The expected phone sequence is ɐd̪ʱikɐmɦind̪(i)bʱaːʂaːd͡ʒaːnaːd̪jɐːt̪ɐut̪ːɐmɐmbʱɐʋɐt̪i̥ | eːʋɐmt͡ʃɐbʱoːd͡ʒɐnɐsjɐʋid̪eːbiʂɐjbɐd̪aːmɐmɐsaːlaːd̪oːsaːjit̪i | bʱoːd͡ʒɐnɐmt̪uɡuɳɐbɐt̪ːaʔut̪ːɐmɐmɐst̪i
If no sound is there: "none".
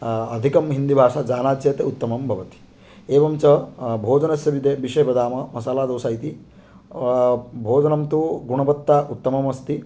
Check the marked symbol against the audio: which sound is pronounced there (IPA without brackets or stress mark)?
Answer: i